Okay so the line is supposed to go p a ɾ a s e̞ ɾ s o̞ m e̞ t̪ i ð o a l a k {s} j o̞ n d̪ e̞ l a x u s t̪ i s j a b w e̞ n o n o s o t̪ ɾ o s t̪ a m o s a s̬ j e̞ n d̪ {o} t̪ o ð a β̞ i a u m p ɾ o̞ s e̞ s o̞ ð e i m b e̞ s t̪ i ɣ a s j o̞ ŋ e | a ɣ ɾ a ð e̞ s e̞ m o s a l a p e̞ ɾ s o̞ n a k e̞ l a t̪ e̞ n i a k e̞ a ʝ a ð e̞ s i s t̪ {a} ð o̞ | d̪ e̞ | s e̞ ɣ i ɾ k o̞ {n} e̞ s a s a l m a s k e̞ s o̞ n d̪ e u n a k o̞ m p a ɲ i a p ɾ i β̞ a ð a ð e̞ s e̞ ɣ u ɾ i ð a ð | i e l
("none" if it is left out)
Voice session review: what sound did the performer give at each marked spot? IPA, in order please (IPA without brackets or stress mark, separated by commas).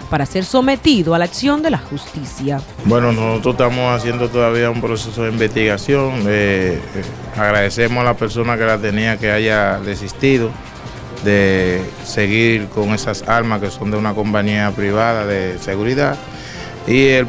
s, o, i, ŋ